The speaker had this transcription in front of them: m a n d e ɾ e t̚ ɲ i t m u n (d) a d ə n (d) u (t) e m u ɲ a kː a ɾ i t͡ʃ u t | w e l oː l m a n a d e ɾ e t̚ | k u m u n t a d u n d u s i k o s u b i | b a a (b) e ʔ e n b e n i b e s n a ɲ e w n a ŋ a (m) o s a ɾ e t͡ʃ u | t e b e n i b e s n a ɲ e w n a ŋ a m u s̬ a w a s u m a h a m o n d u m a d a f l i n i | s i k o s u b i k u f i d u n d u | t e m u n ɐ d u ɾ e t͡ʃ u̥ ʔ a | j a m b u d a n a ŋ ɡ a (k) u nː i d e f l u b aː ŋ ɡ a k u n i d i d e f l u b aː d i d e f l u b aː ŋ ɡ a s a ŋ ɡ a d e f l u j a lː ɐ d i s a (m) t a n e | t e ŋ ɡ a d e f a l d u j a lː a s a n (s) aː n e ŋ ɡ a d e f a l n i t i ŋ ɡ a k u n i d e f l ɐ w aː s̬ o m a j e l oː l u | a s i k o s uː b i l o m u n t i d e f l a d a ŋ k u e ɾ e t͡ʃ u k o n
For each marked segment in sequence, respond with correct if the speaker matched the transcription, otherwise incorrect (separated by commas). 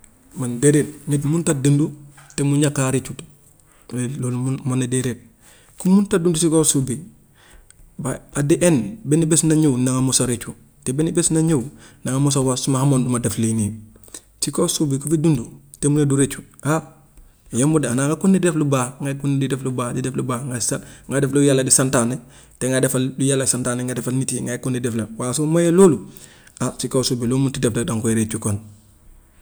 incorrect, correct, correct, incorrect, correct, correct, incorrect, incorrect